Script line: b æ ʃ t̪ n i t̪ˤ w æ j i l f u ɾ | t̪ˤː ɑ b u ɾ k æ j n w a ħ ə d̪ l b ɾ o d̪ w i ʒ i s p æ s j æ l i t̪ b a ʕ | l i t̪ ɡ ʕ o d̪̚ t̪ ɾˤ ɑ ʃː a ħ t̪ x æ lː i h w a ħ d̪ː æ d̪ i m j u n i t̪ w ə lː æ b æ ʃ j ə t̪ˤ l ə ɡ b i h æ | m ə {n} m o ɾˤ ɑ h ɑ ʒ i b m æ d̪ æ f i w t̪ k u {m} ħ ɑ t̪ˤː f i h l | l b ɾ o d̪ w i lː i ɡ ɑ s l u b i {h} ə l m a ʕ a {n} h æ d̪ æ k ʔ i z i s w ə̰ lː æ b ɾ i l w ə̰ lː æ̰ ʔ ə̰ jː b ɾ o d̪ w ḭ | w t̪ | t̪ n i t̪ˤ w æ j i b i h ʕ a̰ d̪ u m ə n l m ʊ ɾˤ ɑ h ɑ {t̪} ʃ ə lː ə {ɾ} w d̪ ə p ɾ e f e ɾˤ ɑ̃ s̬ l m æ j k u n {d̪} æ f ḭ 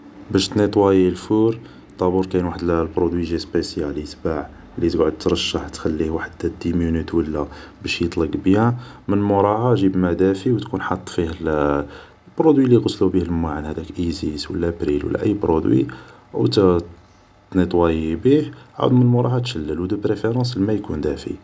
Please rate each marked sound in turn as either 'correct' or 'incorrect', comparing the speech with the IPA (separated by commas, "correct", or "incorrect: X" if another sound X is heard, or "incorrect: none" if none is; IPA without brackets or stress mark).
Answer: correct, incorrect: n, correct, correct, correct, incorrect: l, correct